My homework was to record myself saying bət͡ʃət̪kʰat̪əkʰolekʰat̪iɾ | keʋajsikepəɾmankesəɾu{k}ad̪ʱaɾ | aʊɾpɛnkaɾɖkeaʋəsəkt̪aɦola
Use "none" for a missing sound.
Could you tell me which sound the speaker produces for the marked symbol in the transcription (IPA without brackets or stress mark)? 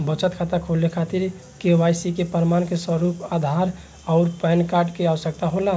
p